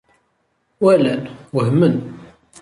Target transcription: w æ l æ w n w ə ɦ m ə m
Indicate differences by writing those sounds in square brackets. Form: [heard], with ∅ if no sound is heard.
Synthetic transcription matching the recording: w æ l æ [∅] n w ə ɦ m ə [n]